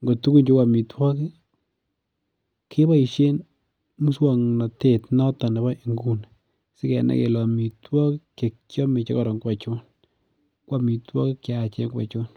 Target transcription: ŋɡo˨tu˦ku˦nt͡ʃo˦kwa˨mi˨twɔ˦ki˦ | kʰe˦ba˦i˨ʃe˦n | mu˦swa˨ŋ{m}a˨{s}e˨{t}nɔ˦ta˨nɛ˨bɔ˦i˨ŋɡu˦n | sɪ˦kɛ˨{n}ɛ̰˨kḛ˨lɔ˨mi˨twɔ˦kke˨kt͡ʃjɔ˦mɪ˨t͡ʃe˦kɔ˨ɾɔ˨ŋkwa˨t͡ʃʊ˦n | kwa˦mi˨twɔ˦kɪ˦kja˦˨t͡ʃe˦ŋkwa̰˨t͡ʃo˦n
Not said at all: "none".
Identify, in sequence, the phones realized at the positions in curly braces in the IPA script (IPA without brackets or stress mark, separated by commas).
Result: n, t, t, n